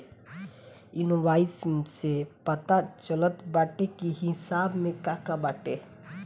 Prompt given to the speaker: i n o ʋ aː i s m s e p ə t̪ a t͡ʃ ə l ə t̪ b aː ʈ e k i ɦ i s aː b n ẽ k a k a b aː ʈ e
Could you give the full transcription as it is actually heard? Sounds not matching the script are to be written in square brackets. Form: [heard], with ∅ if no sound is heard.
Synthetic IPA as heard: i n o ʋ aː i s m s e p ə t̪ a t͡ʃ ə l ə t̪ b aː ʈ e k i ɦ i s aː b [m] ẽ k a k a b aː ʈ e